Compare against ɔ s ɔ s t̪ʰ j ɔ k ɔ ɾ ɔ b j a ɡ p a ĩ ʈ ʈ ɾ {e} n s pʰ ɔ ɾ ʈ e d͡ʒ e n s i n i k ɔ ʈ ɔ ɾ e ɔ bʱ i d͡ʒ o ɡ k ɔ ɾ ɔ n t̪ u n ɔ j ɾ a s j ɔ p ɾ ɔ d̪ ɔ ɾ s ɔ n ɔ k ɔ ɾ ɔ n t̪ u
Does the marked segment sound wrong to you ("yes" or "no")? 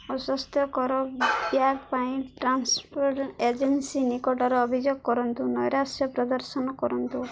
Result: yes